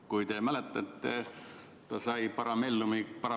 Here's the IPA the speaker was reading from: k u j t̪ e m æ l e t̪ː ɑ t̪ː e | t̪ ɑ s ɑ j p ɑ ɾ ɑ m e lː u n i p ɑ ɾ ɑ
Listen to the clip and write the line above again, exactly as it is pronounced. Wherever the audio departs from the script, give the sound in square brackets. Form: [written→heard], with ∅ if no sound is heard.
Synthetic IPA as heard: k u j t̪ e m æ l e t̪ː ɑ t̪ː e | t̪ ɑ s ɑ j p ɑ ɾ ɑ m e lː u [n→m] i p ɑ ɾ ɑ